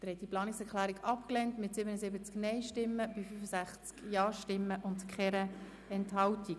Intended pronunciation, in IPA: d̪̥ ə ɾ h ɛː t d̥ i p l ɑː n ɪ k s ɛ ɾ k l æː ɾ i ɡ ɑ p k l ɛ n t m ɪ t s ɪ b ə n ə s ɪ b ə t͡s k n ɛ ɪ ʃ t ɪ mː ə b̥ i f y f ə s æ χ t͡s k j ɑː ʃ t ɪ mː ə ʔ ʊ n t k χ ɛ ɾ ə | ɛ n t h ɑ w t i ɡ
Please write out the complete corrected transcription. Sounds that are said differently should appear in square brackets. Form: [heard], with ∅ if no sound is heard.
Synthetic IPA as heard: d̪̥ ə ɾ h [ɛ] t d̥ i p l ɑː n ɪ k s ɛ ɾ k l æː ɾ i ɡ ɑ p k l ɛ n t m ɪ t s ɪ b ə n ə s ɪ b ə t͡s k n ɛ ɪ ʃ t ɪ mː ə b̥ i f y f ə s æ χ t͡s k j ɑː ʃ t ɪ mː ə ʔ ʊ n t k χ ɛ ɾ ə | ɛ n t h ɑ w t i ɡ